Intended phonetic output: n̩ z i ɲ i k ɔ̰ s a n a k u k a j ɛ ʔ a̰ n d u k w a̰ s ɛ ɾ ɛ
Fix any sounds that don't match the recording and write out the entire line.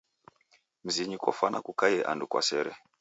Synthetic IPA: m̩ z i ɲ i k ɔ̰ f a n a k u k a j ɛ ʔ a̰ n d u k w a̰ s ɛ ɾ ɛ